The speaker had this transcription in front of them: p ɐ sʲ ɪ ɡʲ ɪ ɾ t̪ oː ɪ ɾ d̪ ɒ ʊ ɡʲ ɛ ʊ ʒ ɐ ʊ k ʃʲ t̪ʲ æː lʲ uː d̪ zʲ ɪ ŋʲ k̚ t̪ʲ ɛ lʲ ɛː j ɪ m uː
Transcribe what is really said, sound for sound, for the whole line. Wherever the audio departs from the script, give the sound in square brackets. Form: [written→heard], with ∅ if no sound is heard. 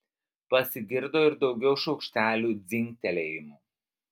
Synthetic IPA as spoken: p ɐ sʲ ɪ ɡʲ ɪ ɾ [t̪→d̪] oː ɪ ɾ d̪ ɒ ʊ ɡʲ ɛ ʊ [ʒ→ʃ] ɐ ʊ k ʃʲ t̪ʲ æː lʲ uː d̪ zʲ ɪ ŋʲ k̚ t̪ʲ ɛ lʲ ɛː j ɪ m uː

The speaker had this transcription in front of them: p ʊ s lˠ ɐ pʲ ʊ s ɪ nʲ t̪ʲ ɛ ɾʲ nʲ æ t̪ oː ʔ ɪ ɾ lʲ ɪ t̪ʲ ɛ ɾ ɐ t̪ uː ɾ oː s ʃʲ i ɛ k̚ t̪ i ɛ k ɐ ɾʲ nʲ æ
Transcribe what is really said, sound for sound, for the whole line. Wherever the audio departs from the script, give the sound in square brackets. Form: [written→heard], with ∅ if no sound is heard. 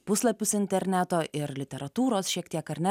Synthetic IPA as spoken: p ʊ s lˠ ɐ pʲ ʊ s ɪ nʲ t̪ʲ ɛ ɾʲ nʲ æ t̪ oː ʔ ɪ ɾ lʲ ɪ t̪ʲ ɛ ɾ ɐ t̪ uː ɾ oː s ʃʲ i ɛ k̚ t̪ i ɛ k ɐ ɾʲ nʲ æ

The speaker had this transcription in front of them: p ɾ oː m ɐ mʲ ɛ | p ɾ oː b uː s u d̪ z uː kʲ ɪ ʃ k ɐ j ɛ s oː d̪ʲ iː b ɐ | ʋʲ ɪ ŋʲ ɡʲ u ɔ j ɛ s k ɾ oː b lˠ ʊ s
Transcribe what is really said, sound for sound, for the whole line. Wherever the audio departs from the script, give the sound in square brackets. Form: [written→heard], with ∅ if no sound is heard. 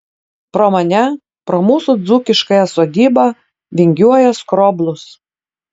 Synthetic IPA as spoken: p ɾ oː m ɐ [mʲ→nʲ] ɛ | p ɾ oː [b→m] uː s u d̪ z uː kʲ ɪ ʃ k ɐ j ɛ s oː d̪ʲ iː b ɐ | ʋʲ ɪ ŋʲ ɡʲ u ɔ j ɛ s k ɾ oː b lˠ ʊ s

